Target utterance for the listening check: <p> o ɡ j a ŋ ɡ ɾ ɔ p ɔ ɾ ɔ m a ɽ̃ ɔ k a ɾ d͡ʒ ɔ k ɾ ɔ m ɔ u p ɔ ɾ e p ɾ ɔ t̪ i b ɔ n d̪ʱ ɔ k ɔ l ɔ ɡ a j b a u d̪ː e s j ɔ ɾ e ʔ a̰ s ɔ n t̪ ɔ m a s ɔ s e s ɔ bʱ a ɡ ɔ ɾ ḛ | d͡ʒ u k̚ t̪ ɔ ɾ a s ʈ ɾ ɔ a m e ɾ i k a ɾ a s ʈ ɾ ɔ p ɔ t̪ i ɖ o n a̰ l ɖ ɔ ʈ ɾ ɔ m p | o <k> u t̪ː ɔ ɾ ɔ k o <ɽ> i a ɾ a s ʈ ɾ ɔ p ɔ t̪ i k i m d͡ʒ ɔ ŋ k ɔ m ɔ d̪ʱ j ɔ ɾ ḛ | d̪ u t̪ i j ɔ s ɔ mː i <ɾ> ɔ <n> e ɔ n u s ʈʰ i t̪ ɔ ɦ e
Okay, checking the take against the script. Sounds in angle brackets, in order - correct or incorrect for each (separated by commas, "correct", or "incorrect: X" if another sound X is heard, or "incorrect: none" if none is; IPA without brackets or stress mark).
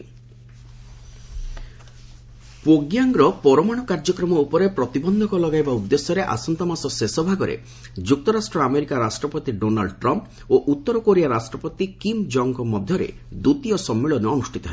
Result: correct, incorrect: ʔ, incorrect: ɾ, incorrect: ɭ, correct